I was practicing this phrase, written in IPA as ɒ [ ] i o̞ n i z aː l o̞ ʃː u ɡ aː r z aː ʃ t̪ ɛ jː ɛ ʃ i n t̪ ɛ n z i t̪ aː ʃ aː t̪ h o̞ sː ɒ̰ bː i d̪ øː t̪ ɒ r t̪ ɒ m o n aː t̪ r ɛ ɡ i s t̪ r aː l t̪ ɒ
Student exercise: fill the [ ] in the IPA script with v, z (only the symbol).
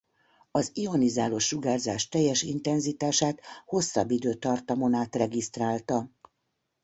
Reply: z